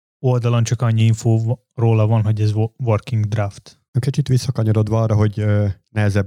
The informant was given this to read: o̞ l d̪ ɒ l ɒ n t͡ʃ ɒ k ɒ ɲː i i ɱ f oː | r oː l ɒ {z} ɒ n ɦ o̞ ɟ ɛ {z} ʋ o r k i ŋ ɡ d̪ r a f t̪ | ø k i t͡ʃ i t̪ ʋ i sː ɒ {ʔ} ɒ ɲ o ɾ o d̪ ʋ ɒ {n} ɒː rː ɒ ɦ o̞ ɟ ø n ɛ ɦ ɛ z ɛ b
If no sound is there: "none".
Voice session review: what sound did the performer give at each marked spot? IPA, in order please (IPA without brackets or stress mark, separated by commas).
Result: v, z, k, none